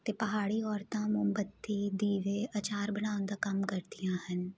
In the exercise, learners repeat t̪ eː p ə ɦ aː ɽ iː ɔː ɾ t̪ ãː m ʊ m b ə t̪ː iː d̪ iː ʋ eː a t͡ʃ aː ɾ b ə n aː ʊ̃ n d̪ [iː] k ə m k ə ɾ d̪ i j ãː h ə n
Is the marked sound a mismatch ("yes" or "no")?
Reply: yes